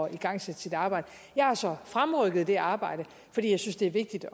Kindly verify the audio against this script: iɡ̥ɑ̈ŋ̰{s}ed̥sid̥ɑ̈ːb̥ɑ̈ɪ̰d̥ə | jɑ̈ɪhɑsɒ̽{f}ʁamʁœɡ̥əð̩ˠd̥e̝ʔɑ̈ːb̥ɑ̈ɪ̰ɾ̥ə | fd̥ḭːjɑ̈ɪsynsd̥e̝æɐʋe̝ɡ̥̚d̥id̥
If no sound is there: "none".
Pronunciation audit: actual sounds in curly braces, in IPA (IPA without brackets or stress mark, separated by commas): s, f